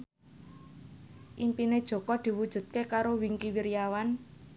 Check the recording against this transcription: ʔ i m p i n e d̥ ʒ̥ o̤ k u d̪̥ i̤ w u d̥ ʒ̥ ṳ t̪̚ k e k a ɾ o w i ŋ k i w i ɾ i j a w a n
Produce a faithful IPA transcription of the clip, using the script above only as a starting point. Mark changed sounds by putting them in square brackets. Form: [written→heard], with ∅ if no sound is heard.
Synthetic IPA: ʔ i m p i n e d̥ ʒ̥ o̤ k [u→ɔ] d̪̥ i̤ w u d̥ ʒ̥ ṳ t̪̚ k e k a ɾ o w i ŋ k i w i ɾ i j a w a n